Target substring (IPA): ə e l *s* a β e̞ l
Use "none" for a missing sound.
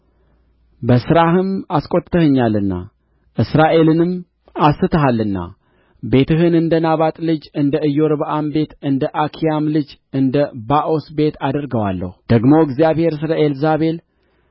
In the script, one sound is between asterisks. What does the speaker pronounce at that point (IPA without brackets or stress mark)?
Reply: z